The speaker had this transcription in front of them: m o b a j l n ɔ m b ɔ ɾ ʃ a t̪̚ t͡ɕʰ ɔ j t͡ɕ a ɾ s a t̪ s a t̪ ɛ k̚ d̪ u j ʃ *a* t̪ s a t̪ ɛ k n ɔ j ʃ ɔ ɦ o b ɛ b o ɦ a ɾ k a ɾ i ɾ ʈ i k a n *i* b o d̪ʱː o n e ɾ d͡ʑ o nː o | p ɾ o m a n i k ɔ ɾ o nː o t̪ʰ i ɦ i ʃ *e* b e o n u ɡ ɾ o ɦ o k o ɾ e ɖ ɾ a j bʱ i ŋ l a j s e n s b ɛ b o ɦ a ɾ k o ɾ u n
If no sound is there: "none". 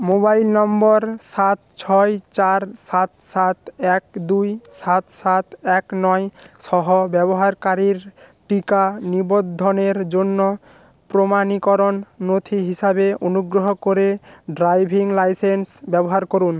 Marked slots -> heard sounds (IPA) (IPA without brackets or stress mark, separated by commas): a, i, a